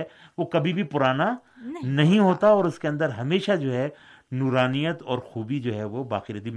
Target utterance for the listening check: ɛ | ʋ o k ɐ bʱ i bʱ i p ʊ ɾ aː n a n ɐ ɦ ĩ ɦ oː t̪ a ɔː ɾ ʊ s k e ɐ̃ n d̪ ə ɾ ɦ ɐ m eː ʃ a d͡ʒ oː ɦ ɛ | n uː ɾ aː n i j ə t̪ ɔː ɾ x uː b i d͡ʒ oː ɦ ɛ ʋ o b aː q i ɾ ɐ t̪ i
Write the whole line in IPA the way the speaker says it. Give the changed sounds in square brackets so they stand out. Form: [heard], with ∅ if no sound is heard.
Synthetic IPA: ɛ | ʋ o k ɐ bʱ i bʱ i p ʊ ɾ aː n a n ɐ ɦ ĩ ɦ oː t̪ a ɔː ɾ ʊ s k e ɐ̃ n d̪ ə ɾ ɦ ɐ m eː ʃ a d͡ʒ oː ɦ ɛ | n uː ɾ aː n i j ə t̪ ɔː ɾ x uː b i d͡ʒ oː ɦ ɛ ʋ o b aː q i ɾ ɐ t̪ i